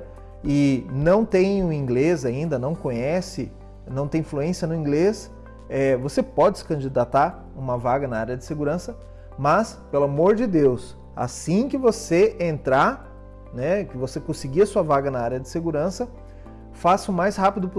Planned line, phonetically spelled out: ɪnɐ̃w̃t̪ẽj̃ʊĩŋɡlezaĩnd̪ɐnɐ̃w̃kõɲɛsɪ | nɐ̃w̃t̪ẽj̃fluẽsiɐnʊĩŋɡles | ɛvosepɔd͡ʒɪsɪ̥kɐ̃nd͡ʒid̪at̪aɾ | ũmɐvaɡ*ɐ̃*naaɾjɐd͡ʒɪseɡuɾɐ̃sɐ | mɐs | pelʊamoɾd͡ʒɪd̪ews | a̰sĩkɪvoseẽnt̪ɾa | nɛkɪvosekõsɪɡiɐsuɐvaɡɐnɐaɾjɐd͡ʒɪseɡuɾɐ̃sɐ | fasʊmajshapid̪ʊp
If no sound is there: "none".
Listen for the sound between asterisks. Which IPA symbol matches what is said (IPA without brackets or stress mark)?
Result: ɐ